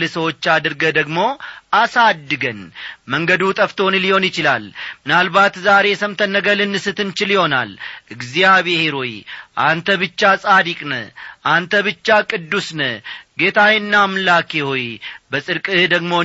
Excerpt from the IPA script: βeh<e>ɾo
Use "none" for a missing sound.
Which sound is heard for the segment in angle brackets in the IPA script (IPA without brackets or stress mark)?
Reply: e